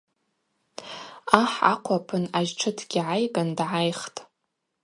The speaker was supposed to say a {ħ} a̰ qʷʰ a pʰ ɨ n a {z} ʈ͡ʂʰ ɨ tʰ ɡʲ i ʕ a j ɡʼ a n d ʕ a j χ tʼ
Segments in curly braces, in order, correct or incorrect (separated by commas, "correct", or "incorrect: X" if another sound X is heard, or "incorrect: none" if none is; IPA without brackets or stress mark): correct, incorrect: ʒ